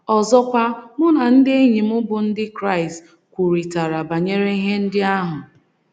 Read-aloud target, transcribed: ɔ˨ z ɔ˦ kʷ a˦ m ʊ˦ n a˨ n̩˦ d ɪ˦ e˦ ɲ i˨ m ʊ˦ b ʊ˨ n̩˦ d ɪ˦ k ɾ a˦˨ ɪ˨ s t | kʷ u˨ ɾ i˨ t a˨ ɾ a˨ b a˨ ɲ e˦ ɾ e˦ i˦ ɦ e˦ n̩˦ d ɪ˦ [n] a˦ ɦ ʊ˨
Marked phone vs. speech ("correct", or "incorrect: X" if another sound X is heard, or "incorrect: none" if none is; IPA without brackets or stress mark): incorrect: none